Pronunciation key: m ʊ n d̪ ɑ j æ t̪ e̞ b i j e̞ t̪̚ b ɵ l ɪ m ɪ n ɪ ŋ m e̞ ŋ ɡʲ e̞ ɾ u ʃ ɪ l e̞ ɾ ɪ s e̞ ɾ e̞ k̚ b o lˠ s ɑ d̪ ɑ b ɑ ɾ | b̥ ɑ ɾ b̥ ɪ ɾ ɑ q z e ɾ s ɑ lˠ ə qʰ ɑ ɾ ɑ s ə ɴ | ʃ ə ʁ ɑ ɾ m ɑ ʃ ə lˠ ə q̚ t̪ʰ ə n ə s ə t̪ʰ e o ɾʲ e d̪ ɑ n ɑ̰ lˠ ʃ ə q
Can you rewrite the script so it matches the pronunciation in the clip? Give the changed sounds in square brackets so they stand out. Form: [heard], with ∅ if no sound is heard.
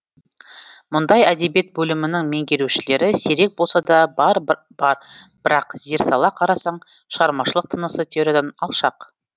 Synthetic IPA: m ʊ n d̪ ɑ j æ [d̪] e̞ b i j e̞ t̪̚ b ɵ l ɪ m ɪ n ɪ ŋ m e̞ ŋ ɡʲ e̞ ɾ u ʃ ɪ l e̞ ɾ ɪ s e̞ ɾ e̞ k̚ b o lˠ s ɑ d̪ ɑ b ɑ ɾ | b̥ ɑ ɾ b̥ ɪ ɾ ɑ q z e ɾ s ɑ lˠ [ɑ] qʰ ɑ ɾ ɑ s [ɑ] ɴ | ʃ ə ʁ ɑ ɾ m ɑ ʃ ə lˠ ə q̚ t̪ʰ ə n ə s ə t̪ʰ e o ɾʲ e d̪ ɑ n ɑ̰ lˠ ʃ [ɑ] q